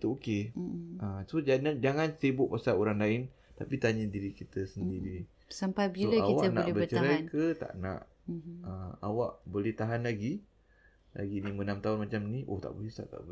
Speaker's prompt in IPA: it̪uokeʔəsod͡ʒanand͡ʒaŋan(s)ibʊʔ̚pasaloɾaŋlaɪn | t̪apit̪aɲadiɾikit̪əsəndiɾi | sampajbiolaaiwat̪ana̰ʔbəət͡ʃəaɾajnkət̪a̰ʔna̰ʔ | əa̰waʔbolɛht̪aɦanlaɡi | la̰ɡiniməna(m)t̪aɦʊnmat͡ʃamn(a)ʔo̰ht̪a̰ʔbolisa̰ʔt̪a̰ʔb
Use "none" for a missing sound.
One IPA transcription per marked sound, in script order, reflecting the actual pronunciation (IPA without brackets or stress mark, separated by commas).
s, m, i